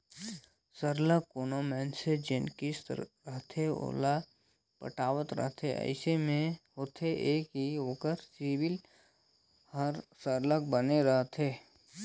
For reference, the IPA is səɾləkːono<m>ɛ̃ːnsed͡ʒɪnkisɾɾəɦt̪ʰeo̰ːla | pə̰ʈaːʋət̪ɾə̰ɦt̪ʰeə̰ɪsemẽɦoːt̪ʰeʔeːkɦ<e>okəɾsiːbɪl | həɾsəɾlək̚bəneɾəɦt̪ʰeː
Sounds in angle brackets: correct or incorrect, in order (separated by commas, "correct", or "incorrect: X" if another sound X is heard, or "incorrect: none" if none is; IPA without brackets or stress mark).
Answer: correct, incorrect: i